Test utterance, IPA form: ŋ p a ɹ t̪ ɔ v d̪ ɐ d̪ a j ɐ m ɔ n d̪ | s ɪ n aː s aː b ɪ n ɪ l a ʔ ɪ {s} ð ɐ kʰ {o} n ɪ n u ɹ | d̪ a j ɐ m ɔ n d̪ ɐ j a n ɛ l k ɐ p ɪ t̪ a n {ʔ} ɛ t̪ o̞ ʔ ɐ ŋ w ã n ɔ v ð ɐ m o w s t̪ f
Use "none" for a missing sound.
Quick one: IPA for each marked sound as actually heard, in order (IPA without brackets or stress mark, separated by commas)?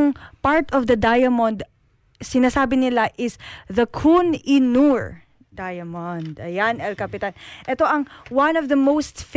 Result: s, u, ʔ